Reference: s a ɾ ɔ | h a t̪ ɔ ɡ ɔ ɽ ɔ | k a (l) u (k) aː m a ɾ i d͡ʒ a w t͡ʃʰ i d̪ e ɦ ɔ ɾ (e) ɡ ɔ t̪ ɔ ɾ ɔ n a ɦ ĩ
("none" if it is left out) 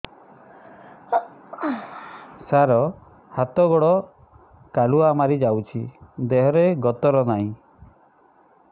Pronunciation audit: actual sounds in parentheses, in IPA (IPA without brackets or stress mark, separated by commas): l, none, e